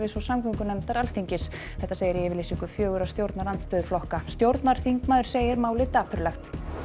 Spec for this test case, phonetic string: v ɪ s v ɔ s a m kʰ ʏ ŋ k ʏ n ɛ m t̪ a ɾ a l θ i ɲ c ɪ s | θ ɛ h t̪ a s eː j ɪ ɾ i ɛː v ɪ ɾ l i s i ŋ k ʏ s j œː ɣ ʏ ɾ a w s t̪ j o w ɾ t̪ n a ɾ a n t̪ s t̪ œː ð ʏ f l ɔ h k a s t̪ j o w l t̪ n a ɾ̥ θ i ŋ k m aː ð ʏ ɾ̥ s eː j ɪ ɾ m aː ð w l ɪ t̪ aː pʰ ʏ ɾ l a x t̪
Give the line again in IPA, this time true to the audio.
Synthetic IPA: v ɪ s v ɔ s a m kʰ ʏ ŋ k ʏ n ɛ m t̪ a ɾ a l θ i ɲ c ɪ s | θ ɛ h t̪ a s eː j ɪ ɾ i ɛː v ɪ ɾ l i s i ŋ k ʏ f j œː ɣ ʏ ɾ a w s t̪ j o w ɾ t̪ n a ɾ a n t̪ s t̪ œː ð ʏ f l ɔ h k a s t̪ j o w ɾ t̪ n a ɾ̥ θ i ŋ k m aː ð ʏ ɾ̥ s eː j ɪ ɾ m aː w l ɪ t̪ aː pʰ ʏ ɾ l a x t̪